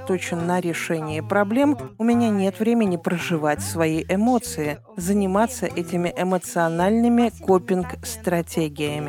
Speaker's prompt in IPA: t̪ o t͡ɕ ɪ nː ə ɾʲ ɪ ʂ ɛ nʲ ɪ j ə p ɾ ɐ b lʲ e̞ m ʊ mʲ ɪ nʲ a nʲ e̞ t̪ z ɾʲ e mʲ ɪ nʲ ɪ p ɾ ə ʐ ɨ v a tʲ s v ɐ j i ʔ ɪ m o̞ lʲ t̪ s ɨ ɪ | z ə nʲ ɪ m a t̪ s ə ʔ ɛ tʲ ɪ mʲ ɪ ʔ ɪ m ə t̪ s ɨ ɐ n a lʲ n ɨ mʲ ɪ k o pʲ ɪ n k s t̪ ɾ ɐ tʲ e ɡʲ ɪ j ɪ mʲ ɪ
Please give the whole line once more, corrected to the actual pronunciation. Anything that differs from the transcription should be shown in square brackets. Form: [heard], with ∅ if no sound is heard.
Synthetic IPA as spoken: t̪ o t͡ɕ ɪ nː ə ɾʲ ɪ ʂ ɛ nʲ ɪ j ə p ɾ ɐ b lʲ e̞ m ʊ mʲ ɪ nʲ a nʲ e̞ t̪ [v] ɾʲ e mʲ ɪ nʲ ɪ p ɾ ə ʐ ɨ v a tʲ s v ɐ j i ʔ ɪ m o̞ [∅] t̪ s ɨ ɪ | z ə nʲ ɪ m a t̪ s ə ʔ ɛ tʲ ɪ mʲ ɪ ʔ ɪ m ə t̪ s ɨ ɐ n a lʲ n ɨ mʲ ɪ k o pʲ ɪ n k s t̪ ɾ ɐ tʲ e ɡʲ ɪ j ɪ mʲ ɪ